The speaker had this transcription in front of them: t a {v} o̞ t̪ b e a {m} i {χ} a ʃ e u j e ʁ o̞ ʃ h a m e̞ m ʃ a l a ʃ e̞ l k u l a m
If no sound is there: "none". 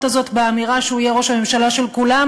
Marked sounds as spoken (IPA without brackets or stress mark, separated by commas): z, m, ʁ